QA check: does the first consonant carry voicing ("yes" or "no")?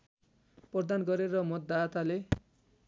no